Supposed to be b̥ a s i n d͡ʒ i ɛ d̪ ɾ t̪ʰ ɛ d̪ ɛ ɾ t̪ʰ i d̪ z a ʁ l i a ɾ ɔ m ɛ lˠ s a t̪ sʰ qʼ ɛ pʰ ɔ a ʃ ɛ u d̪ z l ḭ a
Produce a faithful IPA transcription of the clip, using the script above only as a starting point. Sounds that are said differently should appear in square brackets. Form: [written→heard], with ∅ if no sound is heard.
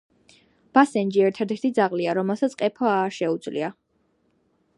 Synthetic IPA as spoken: b̥ a s [i→ɛ] n d͡ʒ i ɛ [d̪→∅] ɾ t̪ʰ ɛ d̪ ɛ ɾ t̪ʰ i d̪ z a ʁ l i a ɾ ɔ m ɛ lˠ s a t̪ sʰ qʼ ɛ pʰ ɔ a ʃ ɛ u d̪ z l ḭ a